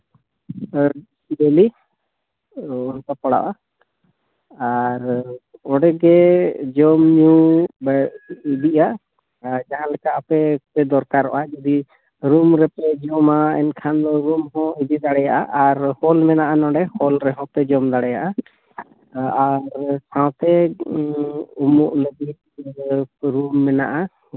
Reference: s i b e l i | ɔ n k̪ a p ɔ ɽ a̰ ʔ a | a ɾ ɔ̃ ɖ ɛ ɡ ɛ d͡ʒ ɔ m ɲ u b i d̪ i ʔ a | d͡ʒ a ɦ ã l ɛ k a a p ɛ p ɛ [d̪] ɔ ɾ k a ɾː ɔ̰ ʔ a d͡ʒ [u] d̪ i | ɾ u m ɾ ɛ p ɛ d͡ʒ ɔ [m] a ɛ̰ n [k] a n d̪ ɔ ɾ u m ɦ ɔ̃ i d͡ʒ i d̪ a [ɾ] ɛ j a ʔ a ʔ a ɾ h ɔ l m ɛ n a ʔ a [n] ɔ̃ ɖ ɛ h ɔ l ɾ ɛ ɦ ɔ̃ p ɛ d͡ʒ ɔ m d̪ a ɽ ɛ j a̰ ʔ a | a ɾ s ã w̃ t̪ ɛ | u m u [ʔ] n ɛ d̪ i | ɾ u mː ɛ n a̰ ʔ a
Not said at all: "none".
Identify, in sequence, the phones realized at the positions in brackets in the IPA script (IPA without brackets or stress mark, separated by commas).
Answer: d̪, ɔ, m, kʰ, ɽ, n, ʔ